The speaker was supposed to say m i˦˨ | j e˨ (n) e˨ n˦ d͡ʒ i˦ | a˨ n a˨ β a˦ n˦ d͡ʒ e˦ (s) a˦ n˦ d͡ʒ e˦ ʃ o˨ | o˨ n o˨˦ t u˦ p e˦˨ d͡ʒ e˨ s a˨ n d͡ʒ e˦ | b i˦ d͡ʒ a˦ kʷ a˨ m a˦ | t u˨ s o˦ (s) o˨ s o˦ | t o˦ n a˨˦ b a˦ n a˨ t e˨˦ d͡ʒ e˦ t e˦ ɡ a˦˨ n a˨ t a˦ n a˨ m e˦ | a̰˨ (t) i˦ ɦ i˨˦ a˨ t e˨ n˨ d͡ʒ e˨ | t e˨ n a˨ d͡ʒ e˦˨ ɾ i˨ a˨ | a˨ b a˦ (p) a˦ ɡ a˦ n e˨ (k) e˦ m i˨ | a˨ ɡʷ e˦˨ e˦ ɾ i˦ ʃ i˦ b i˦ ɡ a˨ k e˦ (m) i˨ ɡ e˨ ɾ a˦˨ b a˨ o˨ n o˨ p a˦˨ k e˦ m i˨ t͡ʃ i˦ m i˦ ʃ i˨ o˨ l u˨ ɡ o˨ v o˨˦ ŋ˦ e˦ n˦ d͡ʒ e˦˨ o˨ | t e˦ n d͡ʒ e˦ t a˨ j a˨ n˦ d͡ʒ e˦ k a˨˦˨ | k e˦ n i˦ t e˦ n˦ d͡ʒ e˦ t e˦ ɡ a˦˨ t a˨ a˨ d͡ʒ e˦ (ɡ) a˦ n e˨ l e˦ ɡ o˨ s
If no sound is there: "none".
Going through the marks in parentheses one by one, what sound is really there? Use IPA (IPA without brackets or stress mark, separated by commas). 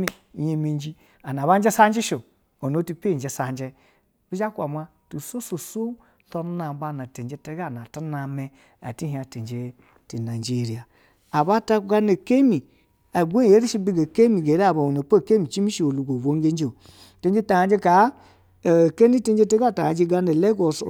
m, s, s, t, t, k, m, ɡ